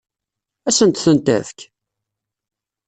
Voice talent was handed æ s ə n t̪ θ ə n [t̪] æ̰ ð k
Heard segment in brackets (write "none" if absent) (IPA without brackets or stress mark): t̪